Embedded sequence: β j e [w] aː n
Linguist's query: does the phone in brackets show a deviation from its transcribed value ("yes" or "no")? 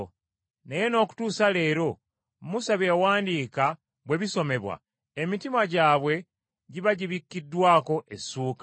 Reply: no